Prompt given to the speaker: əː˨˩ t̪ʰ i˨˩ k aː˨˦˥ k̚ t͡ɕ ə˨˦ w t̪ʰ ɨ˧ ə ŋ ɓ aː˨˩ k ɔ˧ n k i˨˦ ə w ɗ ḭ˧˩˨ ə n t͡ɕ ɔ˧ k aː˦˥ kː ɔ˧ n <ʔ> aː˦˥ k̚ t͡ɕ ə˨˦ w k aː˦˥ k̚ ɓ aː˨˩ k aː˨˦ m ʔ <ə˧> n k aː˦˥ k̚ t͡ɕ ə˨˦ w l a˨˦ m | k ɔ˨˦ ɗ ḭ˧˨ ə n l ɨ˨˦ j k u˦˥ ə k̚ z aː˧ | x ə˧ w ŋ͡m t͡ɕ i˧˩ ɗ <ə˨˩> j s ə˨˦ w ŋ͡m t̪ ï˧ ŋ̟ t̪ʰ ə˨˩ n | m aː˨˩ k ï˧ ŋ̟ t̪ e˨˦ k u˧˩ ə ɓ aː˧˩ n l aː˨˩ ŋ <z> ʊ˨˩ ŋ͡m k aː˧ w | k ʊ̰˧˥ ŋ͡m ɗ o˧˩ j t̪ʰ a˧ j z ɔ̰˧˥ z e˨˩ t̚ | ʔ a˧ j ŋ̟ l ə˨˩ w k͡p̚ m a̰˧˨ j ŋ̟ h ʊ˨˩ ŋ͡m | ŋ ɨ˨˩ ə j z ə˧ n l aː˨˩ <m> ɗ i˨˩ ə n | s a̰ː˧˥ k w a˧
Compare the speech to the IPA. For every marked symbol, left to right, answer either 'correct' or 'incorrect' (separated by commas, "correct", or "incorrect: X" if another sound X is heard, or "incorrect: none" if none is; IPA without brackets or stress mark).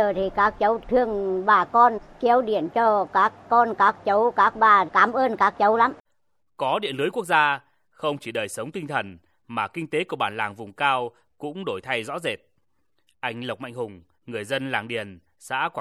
incorrect: k, incorrect: əː˧, incorrect: əː˨˩, incorrect: v, incorrect: ŋ